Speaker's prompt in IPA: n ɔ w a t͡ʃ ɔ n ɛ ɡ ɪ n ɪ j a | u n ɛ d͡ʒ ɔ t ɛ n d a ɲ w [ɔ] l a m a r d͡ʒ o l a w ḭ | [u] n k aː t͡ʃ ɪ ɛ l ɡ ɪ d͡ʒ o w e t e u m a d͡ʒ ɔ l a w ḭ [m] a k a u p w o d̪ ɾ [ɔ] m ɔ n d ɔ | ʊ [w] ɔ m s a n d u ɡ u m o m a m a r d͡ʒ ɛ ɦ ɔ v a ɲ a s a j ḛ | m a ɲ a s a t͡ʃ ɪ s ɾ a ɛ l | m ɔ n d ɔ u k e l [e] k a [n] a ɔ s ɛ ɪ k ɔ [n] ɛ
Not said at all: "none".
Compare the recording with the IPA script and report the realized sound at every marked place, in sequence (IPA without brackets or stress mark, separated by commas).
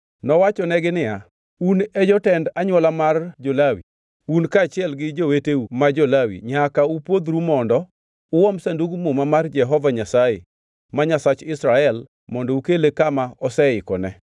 ɔ, u, ɲ, u, w, e, m, n